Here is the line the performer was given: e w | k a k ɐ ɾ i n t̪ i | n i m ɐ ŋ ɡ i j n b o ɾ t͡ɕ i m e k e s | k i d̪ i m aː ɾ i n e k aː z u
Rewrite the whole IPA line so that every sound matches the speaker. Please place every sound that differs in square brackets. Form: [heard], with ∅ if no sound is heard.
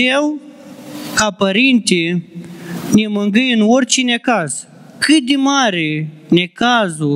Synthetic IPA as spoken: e w | k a [p] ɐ ɾ i n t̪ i | n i m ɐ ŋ ɡ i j n [w] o ɾ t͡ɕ i [n] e k [a] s | k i d̪ i m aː ɾ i n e k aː z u